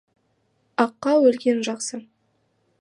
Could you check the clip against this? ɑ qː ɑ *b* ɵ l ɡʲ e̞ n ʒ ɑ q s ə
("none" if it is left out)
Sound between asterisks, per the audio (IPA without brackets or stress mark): w